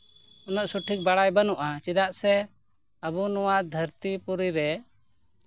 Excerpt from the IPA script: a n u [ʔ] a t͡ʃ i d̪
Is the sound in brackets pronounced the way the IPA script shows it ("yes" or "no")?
yes